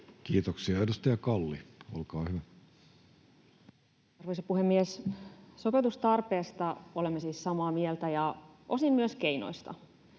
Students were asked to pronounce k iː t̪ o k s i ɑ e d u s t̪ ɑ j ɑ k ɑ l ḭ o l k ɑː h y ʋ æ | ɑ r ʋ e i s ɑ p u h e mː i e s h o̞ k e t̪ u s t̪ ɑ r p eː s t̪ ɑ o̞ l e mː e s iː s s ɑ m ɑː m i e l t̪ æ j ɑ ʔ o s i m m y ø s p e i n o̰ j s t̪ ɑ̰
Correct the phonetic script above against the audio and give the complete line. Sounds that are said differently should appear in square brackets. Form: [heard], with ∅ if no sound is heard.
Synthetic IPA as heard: k iː t̪ o k s i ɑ e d u s t̪ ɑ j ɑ k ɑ [lː] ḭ o l k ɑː h y ʋ æ | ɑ r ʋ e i s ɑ p u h e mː i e s [s] o̞ [p] e t̪ u s t̪ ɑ r p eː s t̪ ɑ o̞ l e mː e s iː s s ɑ m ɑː m i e l t̪ æ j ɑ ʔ o s i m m y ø s [k] e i n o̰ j s t̪ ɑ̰